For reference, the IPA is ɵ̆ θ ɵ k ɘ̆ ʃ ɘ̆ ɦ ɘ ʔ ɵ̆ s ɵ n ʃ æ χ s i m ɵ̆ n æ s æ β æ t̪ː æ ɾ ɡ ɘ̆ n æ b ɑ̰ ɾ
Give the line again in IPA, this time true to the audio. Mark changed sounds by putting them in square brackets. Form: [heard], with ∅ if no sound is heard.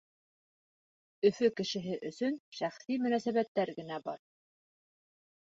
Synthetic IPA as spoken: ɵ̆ [f] ɵ k ɘ̆ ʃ ɘ̆ ɦ ɘ ʔ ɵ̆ s ɵ n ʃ æ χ s i m ɵ̆ n æ s æ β æ t̪ː æ ɾ ɡ ɘ̆ n æ b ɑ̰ ɾ